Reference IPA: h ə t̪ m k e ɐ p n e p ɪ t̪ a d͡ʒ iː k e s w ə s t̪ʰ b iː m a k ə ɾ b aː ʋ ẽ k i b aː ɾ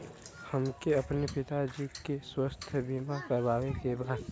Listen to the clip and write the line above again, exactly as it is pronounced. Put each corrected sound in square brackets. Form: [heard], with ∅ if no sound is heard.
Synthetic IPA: h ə [∅] m k e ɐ p n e p ɪ t̪ a d͡ʒ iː k e s w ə s t̪ʰ b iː m a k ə ɾ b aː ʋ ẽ k [e] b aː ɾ